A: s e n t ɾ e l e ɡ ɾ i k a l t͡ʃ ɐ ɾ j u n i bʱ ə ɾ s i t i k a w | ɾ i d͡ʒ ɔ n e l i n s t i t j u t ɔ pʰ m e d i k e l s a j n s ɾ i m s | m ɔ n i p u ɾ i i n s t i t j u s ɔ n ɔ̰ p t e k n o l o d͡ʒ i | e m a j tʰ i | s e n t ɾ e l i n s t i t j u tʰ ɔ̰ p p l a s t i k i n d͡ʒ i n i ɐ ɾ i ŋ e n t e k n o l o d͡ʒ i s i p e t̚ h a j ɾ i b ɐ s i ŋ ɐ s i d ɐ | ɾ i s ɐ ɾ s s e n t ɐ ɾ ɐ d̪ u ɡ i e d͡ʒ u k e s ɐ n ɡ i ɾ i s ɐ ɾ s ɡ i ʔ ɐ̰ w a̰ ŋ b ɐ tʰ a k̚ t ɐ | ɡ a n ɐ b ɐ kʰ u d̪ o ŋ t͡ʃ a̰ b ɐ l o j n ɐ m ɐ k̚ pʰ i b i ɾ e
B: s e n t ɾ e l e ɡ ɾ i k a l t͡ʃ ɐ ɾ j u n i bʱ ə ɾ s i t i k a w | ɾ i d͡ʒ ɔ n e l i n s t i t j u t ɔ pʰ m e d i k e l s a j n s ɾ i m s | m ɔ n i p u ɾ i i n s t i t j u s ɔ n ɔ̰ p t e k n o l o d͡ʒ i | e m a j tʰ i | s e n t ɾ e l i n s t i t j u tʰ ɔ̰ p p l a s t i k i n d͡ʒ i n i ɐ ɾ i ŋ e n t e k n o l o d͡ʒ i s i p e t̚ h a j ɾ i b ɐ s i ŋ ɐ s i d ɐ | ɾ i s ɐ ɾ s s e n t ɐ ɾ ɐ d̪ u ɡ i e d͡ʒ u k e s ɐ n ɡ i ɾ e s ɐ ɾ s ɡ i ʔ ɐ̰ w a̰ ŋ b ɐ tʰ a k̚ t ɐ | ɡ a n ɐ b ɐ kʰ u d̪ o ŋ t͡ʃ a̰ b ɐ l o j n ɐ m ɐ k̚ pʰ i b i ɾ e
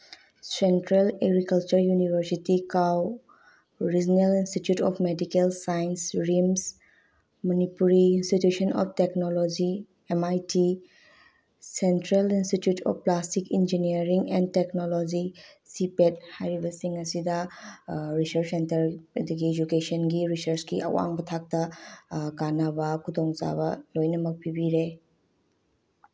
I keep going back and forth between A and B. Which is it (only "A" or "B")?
A